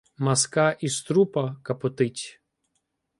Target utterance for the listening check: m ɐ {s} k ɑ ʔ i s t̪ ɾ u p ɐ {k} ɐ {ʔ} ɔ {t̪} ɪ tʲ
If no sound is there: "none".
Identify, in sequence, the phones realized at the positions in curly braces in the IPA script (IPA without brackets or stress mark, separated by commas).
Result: s, k, p, t̪